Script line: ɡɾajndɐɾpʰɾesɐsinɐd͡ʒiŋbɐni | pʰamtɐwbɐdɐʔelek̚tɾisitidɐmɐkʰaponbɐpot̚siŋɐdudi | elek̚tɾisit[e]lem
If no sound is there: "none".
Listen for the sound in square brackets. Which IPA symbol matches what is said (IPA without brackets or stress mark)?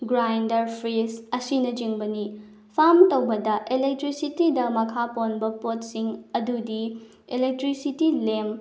i